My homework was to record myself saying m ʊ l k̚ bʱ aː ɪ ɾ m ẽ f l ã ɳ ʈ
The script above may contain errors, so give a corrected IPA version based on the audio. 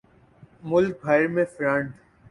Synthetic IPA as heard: m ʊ l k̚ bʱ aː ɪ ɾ m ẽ f ɾ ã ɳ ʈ